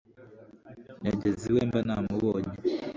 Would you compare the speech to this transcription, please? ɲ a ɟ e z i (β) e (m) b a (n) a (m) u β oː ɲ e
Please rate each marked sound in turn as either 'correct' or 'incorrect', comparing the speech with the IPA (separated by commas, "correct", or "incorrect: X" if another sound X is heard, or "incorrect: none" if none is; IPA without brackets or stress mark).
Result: incorrect: w, correct, correct, correct